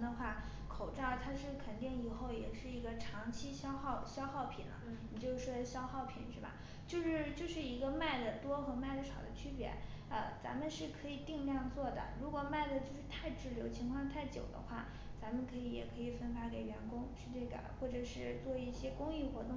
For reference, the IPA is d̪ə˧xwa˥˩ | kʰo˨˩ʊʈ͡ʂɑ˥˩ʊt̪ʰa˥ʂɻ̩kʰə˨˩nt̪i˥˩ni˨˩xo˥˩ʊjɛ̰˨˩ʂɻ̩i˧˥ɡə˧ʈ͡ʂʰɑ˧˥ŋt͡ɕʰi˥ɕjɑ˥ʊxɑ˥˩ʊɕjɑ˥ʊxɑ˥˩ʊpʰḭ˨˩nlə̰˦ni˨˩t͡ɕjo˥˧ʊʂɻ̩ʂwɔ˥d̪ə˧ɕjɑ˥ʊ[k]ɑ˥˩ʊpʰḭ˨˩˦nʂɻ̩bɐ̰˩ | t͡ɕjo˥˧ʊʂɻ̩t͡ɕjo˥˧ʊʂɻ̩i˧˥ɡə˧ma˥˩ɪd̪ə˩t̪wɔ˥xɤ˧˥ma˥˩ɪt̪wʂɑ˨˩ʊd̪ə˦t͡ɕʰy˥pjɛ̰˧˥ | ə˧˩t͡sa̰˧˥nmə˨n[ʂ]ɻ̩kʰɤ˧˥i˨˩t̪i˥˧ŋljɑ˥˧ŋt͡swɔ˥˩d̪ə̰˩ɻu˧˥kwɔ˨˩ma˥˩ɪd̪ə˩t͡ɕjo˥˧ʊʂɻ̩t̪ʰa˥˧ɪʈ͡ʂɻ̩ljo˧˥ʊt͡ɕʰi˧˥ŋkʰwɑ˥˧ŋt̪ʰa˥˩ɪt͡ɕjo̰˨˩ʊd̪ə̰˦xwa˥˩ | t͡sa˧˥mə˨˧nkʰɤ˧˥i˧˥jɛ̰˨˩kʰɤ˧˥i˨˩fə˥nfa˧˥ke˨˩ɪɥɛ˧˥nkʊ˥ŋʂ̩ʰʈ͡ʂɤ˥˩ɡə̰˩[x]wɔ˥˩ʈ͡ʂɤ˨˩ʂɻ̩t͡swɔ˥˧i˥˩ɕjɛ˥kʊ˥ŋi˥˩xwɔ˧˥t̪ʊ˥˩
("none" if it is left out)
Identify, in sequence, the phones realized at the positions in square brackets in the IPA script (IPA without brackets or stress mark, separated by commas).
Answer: x, ʂ, x